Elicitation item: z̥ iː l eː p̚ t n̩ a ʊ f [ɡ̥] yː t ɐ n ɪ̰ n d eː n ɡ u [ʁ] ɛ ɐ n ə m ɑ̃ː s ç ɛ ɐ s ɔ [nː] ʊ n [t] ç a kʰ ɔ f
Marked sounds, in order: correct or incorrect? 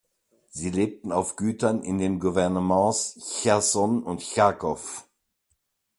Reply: correct, incorrect, incorrect, correct

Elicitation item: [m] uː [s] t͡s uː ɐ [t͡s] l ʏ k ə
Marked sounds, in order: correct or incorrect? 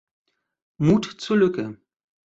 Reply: correct, incorrect, incorrect

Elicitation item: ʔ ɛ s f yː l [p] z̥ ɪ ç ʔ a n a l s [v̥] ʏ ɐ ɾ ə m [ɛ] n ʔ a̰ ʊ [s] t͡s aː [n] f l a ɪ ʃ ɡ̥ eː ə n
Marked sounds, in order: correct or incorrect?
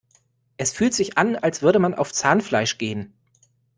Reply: incorrect, correct, incorrect, incorrect, correct

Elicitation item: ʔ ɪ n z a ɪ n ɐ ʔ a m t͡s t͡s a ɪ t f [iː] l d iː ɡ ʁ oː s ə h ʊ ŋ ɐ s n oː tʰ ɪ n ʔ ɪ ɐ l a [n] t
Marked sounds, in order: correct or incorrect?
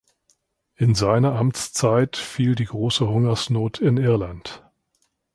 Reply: correct, correct

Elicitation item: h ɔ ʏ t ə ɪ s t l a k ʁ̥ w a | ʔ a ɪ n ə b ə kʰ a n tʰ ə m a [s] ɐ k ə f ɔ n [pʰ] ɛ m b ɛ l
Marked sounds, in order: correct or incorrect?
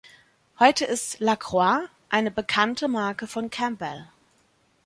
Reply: incorrect, incorrect

